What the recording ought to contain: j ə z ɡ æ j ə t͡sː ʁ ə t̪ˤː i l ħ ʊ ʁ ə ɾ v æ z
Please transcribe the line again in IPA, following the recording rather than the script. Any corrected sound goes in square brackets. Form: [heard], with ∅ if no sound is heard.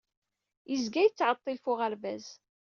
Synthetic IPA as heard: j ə z ɡ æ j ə t͡sː [ʕ] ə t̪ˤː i l [f] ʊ ʁ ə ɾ v æ z